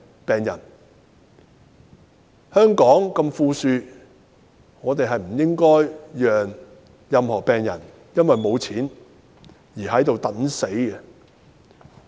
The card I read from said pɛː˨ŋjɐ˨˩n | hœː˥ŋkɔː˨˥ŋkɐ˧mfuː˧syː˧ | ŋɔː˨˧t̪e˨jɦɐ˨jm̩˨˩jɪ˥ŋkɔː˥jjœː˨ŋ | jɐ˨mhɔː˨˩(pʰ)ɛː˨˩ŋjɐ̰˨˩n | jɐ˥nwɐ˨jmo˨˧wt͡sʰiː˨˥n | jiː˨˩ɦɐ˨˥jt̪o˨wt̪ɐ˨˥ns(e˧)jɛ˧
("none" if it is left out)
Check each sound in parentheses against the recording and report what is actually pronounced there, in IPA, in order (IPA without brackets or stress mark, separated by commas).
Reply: p, e˨˥